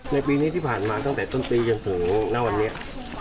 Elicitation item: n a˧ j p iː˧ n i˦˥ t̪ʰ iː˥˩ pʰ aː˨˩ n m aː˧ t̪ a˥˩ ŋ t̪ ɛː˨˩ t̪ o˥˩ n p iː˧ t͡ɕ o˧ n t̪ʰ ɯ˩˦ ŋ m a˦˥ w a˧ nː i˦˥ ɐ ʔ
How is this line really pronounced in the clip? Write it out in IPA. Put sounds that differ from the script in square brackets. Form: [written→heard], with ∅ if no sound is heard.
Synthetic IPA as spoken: n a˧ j p iː˧ n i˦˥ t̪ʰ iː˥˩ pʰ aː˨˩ n m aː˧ t̪ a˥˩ ŋ t̪ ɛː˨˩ t̪ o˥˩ n p iː˧ t͡ɕ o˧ n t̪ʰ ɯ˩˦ ŋ [m→n] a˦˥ w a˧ nː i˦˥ ɐ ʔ